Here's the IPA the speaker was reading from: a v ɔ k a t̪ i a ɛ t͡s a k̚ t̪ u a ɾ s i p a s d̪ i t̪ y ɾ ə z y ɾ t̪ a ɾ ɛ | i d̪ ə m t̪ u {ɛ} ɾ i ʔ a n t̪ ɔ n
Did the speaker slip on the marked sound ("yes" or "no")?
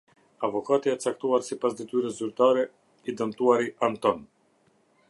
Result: yes